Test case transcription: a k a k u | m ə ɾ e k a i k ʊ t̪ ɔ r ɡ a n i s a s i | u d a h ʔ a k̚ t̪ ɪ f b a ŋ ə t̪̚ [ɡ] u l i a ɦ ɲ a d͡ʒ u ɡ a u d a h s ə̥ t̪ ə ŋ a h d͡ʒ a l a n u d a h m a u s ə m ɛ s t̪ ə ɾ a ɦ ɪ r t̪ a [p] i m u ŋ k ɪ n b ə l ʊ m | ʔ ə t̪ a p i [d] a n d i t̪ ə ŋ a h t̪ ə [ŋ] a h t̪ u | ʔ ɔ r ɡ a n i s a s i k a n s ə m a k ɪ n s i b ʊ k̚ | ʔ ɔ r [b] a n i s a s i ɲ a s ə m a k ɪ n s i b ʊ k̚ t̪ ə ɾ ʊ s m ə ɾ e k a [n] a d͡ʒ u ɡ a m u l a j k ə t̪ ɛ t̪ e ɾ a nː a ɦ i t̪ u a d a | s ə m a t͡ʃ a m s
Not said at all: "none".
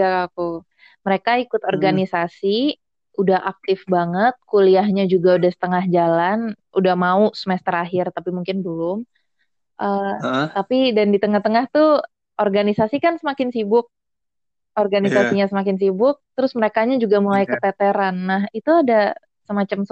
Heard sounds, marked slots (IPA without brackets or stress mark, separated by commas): k, p, d, ŋ, ɡ, ɲ